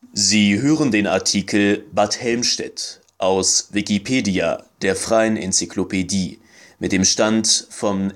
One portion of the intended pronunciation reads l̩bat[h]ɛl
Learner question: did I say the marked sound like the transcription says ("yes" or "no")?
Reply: yes